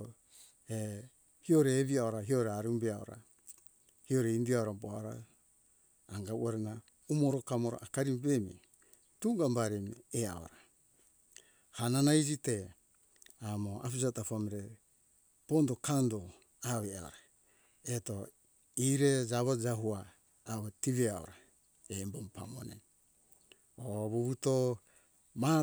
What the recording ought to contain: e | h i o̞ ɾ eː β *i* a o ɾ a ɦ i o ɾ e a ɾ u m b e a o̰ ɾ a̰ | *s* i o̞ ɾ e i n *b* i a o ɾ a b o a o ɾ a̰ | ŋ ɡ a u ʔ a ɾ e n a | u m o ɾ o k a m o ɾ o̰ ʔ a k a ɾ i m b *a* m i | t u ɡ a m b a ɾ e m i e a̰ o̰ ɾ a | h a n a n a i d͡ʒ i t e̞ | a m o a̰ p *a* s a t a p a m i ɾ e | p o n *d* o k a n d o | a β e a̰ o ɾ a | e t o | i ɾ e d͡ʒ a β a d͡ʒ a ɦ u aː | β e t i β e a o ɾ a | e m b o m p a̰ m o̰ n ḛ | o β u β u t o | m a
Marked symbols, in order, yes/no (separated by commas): yes, no, no, no, no, yes